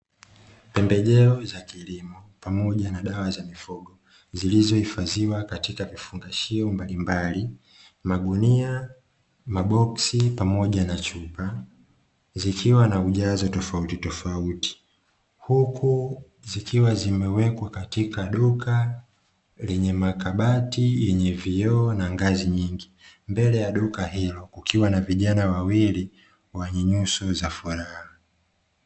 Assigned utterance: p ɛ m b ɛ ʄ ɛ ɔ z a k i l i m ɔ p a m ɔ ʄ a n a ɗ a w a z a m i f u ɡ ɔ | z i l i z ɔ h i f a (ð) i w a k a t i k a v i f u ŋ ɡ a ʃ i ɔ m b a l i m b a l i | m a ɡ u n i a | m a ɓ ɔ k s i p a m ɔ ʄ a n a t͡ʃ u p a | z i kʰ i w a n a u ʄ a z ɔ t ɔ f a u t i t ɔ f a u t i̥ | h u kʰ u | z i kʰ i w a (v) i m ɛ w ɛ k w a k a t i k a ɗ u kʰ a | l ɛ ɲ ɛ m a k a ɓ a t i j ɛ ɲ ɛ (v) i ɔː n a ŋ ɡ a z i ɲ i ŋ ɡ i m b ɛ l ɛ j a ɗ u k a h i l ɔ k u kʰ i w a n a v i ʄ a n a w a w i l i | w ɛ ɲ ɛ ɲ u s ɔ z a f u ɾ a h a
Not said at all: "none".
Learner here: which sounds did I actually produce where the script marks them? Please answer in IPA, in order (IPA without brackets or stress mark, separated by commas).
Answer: z, z, v